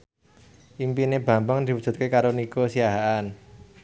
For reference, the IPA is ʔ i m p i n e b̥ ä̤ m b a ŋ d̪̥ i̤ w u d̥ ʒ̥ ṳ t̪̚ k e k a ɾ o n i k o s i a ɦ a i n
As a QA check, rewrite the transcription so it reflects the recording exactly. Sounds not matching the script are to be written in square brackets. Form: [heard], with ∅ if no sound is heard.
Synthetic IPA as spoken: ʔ i m p i n e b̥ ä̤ m b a ŋ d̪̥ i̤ w u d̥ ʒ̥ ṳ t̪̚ k e k a ɾ o n i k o s i a ɦ a [a] n